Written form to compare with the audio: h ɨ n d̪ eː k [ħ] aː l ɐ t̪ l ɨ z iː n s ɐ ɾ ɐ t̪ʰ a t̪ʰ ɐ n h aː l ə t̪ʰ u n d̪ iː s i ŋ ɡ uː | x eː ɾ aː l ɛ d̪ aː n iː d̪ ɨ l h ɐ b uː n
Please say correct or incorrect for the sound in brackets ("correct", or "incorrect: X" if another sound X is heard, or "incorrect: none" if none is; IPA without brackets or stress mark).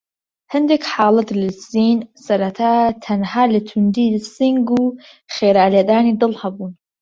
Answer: correct